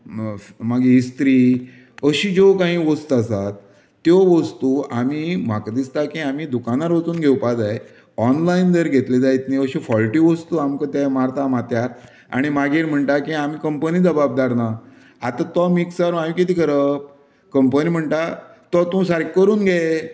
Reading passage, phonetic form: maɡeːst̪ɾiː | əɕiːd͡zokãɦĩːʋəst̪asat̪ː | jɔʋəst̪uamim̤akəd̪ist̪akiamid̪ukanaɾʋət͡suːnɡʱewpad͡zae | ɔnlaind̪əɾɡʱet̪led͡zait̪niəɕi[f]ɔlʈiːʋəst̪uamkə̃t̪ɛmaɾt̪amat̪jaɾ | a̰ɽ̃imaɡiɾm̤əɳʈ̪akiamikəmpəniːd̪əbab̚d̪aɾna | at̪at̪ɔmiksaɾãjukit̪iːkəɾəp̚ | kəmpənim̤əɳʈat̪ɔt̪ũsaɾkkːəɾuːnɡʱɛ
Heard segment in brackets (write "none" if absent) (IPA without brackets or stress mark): f